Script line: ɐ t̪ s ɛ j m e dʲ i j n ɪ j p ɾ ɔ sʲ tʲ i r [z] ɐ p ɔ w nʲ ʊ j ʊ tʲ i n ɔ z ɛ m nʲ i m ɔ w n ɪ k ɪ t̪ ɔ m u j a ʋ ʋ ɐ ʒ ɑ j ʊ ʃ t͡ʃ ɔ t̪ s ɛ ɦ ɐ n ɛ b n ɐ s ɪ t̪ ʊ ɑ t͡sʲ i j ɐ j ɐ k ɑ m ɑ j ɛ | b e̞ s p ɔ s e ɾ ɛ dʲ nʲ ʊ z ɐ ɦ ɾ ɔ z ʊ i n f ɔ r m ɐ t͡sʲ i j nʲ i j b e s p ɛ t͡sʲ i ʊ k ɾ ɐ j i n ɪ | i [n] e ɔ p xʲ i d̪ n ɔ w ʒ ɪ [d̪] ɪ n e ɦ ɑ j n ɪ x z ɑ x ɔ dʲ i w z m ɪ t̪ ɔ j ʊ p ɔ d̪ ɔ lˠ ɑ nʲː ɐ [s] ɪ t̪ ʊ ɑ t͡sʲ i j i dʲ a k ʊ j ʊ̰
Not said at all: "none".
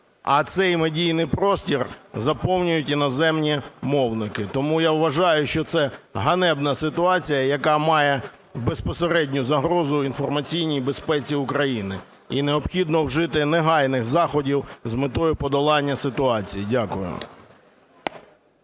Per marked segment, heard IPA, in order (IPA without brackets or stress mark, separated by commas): z, n, t̪, s